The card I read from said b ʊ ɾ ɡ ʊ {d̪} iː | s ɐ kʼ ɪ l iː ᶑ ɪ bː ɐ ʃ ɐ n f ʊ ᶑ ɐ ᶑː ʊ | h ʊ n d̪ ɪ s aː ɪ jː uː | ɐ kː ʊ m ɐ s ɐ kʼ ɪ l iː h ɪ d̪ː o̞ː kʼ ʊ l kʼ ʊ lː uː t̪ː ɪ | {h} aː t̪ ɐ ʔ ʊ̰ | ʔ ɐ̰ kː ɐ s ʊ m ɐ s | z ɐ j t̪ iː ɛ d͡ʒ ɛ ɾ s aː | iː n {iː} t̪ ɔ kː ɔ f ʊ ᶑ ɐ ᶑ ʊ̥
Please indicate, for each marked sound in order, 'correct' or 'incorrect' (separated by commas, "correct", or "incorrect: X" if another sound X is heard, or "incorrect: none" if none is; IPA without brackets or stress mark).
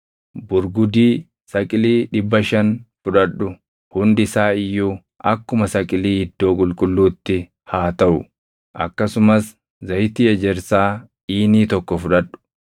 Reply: correct, correct, correct